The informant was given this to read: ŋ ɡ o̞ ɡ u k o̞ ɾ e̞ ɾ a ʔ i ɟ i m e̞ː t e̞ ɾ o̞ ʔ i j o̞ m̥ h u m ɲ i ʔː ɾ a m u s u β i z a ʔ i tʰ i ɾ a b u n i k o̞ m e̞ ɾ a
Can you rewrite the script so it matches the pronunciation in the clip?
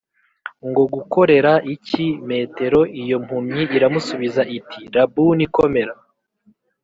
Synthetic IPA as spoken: ŋ ɡ o̞ ɡ u k o̞ ɾ e̞ ɾ a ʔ i c i m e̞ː t e̞ ɾ o̞ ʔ i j o̞ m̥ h u m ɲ i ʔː ɾ a m u s u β i z a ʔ i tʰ i ɾ a b u n i k o̞ m e̞ ɾ a